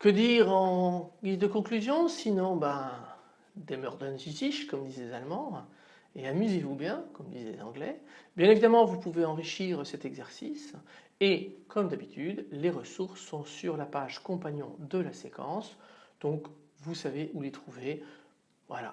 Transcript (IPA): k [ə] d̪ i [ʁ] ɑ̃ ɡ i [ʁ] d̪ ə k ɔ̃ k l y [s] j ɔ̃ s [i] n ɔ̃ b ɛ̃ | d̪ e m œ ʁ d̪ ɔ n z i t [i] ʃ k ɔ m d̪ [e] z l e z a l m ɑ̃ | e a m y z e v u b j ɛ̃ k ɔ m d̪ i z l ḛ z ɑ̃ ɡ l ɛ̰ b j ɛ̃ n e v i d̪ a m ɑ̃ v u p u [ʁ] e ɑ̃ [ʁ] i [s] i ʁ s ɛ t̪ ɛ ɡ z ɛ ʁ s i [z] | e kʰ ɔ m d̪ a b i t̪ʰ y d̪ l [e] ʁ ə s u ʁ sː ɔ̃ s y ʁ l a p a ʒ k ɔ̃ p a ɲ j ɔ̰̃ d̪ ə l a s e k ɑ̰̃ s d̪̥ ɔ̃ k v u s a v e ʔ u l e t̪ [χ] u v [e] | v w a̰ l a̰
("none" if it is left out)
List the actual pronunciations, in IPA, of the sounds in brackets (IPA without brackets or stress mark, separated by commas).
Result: ə, ʁ, z, z, i, i, i, v, ʁ, ʃ, s, e, χ, e